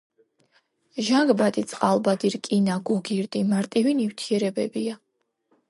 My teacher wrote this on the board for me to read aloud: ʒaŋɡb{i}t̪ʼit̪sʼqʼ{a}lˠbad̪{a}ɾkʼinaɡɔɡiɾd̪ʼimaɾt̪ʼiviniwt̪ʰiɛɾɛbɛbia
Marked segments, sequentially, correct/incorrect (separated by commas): incorrect, correct, incorrect